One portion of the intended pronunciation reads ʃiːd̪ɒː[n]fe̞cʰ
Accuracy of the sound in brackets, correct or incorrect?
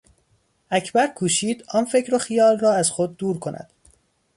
correct